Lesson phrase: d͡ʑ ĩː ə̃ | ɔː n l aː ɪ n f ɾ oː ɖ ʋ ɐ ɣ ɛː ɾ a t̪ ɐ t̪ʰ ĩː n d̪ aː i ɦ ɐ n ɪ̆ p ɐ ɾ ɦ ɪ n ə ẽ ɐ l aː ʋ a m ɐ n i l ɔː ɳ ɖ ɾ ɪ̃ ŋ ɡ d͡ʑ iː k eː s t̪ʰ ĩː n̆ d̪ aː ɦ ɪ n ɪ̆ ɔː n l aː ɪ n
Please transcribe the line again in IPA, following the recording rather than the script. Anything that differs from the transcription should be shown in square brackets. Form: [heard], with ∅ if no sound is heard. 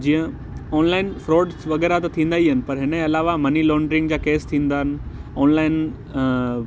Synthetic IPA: d͡ʑ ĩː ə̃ | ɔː n l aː ɪ n f ɾ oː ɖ ʋ ɐ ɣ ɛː ɾ a t̪ ɐ t̪ʰ ĩː n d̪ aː i ɦ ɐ n ɪ̆ p ɐ ɾ ɦ ɪ n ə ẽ ɐ l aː ʋ a m ɐ n i l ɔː ɳ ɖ ɾ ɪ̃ ŋ ɡ d͡ʑ [aː] k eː s t̪ʰ ĩː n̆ d̪ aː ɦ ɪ n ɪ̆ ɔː n l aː ɪ n